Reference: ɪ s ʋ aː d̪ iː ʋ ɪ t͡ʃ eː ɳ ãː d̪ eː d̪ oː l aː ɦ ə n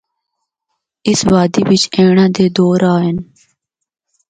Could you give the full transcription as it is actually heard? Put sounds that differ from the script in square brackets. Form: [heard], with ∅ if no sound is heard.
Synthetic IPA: ɪ s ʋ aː d̪ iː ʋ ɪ t͡ʃ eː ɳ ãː d̪ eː d̪ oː [ɾ] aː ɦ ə n